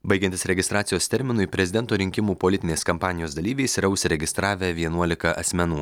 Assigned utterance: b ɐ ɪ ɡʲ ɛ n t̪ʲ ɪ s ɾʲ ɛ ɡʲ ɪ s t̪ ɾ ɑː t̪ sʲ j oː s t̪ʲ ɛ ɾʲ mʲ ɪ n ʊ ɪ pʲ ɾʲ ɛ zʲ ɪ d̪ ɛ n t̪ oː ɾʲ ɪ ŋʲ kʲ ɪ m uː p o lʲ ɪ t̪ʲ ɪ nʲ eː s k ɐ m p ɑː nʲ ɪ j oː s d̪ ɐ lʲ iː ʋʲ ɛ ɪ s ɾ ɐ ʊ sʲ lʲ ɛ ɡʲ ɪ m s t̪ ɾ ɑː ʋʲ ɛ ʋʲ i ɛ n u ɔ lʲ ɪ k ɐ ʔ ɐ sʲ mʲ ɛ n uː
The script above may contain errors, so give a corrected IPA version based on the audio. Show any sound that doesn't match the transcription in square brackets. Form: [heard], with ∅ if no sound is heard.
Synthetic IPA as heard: b ɐ ɪ ɡʲ ɛ n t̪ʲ ɪ s ɾʲ ɛ ɡʲ ɪ s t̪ ɾ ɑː t̪ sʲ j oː s t̪ʲ ɛ ɾʲ mʲ ɪ n ʊ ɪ pʲ ɾʲ ɛ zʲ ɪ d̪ ɛ n t̪ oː ɾʲ ɪ ŋʲ kʲ ɪ m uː p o lʲ ɪ t̪ʲ ɪ nʲ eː s k ɐ m p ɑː nʲ ɪ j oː s d̪ ɐ lʲ iː ʋʲ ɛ ɪ s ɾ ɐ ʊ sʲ [ɾʲ] ɛ ɡʲ ɪ [∅] s t̪ ɾ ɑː ʋʲ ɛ ʋʲ i ɛ n u ɔ lʲ ɪ k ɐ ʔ ɐ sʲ mʲ ɛ n uː